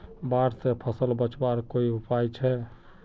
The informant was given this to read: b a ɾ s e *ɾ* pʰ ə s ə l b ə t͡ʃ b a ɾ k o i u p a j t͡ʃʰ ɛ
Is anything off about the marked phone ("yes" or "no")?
yes